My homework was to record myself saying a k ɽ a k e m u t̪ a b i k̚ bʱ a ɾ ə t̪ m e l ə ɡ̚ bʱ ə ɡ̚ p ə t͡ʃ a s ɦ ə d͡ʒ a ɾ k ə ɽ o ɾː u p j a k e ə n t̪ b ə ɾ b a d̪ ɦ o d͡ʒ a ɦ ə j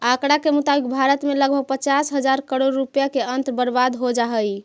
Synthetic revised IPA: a k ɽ a k e m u t̪ a b i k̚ bʱ a ɾ ə t̪ m e l ə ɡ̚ bʱ ə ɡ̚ p ə t͡ʃ a s ɦ ə d͡ʒ a ɾ k ə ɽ o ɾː u p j a k e ə n t̪ b ə ɾ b a d̪ ɦ o d͡ʒ a ɦ ə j